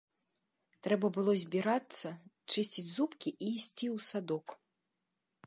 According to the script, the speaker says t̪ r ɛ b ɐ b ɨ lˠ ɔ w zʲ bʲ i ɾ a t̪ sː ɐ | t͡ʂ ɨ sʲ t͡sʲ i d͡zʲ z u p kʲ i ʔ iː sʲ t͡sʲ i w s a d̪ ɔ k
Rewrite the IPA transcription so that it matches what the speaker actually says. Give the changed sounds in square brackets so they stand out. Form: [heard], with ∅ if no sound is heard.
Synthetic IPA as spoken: t̪ [ɾ] ɛ b ɐ b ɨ lˠ ɔ [∅] zʲ bʲ i ɾ a t̪ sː ɐ | t͡ʂ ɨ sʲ t͡sʲ i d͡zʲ z u p kʲ i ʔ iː sʲ t͡sʲ i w s a d̪ ɔ k